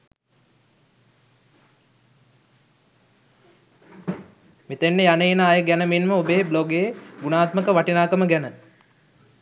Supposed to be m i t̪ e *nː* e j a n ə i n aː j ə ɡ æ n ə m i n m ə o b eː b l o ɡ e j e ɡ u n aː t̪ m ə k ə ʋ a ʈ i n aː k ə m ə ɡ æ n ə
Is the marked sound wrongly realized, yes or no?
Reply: no